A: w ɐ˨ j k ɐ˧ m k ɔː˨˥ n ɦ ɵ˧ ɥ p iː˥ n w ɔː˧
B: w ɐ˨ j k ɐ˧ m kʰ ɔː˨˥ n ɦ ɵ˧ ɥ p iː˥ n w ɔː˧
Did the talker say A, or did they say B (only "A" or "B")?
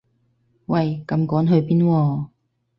A